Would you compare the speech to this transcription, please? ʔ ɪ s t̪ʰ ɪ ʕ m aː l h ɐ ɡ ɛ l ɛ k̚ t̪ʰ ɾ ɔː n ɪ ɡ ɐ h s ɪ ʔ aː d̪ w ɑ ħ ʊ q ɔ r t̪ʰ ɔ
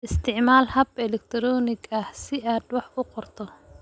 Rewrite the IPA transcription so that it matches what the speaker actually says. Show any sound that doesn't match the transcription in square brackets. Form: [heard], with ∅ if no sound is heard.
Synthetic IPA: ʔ ɪ s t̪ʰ ɪ ʕ m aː l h ɐ [b] ɛ l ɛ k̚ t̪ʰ ɾ ɔː n ɪ ɡ ɐ h s ɪ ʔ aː d̪ w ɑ ħ ʊ q ɔ r t̪ʰ ɔ

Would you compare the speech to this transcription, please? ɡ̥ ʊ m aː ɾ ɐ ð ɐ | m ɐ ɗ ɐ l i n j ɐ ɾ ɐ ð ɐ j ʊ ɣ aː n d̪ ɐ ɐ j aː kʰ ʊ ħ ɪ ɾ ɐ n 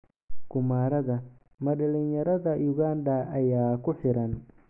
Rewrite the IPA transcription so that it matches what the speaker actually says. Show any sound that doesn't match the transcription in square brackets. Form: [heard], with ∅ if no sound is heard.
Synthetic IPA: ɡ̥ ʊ m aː ɾ ɐ ð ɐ | m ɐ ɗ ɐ l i n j ɐ ɾ ɐ ð ɐ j ʊ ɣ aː n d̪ ɐ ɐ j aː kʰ ʊ ħ ɪ ɾ ɐ n

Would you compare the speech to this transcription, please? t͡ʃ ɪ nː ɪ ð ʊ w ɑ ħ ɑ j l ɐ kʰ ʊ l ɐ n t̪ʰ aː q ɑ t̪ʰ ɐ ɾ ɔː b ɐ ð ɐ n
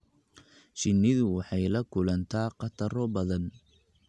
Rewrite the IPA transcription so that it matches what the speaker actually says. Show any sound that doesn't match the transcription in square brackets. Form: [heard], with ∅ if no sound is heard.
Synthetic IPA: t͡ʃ ɪ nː ɪ ð ʊ w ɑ ħ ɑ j l ɐ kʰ ʊ l ɐ n t̪ʰ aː q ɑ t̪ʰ ɐ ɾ [ɔ] b ɐ ð ɐ n

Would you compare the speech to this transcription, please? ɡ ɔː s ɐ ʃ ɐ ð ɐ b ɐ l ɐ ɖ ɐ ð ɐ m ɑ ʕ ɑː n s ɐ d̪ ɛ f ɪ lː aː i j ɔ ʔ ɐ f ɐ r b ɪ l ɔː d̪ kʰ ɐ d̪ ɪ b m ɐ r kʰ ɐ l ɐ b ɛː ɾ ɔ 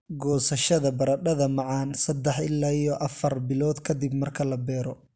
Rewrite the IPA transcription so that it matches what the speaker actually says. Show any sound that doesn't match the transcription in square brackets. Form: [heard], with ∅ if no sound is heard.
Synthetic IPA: ɡ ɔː s ɐ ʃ ɐ ð ɐ b ɐ [ɾ] ɐ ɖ ɐ ð ɐ m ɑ ʕ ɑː n s ɐ d̪ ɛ [ħ] ɪ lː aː i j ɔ ʔ ɐ f ɐ r b ɪ l ɔː d̪ kʰ ɐ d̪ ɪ b m ɐ r kʰ ɐ l ɐ b ɛː ɾ ɔ

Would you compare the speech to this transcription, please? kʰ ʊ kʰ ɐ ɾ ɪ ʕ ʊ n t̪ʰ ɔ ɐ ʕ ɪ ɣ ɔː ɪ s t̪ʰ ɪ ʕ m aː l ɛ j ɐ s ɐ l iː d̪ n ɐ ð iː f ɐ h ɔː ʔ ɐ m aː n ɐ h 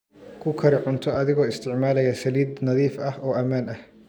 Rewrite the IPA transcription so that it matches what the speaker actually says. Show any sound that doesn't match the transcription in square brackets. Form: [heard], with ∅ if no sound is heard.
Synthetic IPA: kʰ ʊ kʰ ɐ ɾ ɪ ʕ ʊ n t̪ʰ ɔ ɐ [ð] ɪ ɣ ɔː ɪ s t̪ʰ ɪ ʕ m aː l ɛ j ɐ s ɐ l iː d̪ n ɐ ð iː f ɐ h ɔː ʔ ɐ m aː n ɐ h

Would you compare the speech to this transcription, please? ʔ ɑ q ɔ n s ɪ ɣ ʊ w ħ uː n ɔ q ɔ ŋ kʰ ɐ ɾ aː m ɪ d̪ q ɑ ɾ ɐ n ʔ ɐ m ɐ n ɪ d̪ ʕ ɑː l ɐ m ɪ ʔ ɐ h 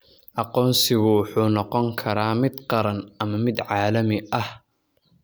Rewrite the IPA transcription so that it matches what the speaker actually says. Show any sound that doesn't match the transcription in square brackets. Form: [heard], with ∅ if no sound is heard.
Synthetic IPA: ʔ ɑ q [ɔː] n s ɪ ɣ ʊ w ħ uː n ɔ q ɔ ŋ kʰ ɐ ɾ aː m ɪ d̪ q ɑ ɾ ɐ n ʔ ɐ m ɐ [m] ɪ d̪ ʕ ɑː l ɐ m ɪ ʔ ɐ h

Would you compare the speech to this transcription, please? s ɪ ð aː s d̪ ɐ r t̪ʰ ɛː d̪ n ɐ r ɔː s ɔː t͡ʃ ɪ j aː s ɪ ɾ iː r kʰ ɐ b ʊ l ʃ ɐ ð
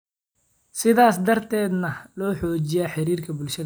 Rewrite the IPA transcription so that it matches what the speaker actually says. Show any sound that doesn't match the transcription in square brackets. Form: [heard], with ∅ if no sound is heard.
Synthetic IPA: s ɪ ð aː s d̪ ɐ r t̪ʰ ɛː d̪ n ɐ [l] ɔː [ħ] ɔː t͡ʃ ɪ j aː [ħ] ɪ ɾ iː r kʰ ɐ b ʊ l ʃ ɐ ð

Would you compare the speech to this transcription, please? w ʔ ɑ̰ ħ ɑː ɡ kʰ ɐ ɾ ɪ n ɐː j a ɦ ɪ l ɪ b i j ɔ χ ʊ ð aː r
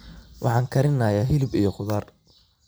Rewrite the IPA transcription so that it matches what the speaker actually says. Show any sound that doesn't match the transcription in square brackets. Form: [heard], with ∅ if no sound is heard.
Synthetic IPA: w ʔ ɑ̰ ħ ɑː [ŋ] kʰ ɐ ɾ ɪ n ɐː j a ɦ ɪ l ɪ b i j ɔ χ ʊ ð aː r

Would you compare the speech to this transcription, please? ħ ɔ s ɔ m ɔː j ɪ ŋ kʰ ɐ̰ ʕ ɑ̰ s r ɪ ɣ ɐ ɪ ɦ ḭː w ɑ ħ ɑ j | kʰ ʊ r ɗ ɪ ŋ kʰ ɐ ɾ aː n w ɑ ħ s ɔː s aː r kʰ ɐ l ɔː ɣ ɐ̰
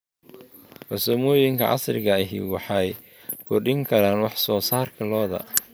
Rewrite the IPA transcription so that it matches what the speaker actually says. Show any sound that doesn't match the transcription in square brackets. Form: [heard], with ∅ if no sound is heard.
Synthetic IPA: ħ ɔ s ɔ m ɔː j ɪ ŋ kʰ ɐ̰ ʕ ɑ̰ s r ɪ ɣ ɐ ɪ ɦ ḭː w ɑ ħ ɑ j | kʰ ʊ r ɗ ɪ ŋ kʰ ɐ ɾ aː n w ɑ ħ s ɔː s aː r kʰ ɐ l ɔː [ð] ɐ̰

